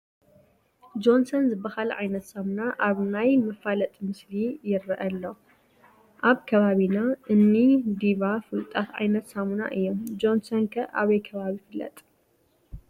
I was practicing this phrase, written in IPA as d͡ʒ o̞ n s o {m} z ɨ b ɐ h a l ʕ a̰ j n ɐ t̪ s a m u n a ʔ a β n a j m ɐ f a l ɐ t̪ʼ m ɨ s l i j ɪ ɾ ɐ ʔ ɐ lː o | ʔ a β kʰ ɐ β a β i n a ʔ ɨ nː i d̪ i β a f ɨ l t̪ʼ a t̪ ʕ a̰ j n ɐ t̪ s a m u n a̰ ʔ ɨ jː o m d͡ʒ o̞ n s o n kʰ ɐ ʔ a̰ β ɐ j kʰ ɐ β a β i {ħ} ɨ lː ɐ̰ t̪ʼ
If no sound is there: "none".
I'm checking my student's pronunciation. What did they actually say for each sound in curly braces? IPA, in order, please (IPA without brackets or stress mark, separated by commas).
n, f